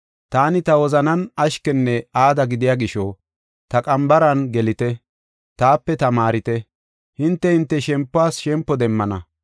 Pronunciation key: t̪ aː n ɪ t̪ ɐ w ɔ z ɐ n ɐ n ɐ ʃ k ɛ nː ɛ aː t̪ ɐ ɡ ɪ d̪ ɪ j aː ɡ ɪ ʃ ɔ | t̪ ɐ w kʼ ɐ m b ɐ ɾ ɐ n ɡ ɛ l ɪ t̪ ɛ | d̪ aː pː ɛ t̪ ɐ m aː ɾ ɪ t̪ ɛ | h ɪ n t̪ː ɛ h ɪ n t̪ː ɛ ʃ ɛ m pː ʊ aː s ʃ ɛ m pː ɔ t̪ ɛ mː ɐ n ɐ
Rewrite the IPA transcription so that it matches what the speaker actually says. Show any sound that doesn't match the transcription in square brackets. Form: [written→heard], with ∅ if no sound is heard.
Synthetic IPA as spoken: t̪ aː n ɪ t̪ ɐ w ɔ z ɐ n ɐ n ɐ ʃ k ɛ nː ɛ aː [t̪→d̪] ɐ ɡ ɪ d̪ ɪ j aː ɡ ɪ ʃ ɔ | t̪ ɐ [w→∅] kʼ ɐ m b ɐ ɾ ɐ n ɡ ɛ l ɪ t̪ ɛ | [d̪→t̪] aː pː ɛ t̪ ɐ m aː ɾ ɪ t̪ ɛ | h ɪ n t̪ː ɛ h ɪ n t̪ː ɛ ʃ ɛ m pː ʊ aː s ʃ ɛ m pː ɔ [t̪→d̪] ɛ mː ɐ n ɐ